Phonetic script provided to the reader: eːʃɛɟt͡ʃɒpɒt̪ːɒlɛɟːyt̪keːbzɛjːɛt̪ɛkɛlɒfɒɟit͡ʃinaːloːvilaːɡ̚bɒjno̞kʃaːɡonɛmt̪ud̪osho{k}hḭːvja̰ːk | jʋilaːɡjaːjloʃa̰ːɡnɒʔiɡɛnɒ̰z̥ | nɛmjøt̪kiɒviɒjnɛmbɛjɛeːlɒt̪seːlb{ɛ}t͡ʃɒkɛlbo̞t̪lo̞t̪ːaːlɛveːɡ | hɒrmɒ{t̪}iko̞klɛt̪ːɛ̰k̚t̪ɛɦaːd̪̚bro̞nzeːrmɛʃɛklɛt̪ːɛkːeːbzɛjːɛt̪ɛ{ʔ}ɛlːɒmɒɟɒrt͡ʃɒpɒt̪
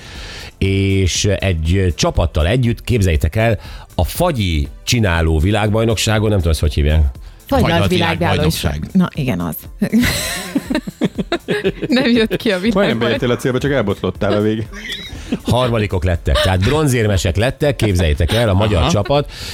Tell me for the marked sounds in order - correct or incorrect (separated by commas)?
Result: incorrect, correct, incorrect, incorrect